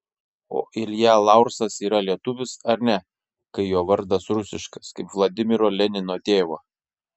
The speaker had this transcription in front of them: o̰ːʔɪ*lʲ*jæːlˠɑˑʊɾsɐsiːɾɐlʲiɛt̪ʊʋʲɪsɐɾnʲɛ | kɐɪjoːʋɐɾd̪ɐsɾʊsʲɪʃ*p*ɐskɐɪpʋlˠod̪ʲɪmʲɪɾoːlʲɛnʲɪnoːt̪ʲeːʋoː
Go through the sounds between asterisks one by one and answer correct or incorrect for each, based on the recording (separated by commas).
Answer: correct, incorrect